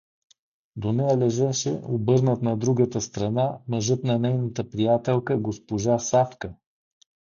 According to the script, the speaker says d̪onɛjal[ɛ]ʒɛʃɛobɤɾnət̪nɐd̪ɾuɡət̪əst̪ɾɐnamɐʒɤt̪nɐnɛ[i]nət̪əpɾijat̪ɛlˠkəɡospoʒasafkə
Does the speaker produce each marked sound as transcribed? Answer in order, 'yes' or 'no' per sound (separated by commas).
yes, no